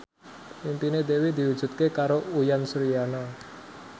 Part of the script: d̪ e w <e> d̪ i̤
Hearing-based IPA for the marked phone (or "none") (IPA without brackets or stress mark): i